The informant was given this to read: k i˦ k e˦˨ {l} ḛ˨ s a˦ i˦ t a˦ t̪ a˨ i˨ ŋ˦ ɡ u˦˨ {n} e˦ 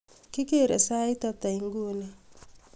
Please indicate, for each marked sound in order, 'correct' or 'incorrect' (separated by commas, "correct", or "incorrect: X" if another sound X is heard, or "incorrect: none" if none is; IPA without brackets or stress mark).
incorrect: ɾ, correct